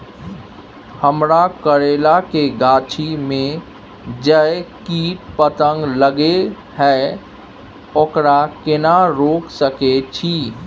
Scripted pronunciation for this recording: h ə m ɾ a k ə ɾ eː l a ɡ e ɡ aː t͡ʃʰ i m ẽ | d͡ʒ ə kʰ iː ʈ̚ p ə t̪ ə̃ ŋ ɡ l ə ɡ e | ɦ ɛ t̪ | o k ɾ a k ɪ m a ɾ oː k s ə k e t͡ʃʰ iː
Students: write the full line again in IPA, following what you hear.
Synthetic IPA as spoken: h ə m ɾ a k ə ɾ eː l a k e ɡ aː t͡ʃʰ i m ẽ | d͡ʒ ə k iː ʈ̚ p ə t̪ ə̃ ŋ ɡ l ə ɡ e | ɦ ɛ | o k ɾ a k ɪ n a ɾ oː k s ə k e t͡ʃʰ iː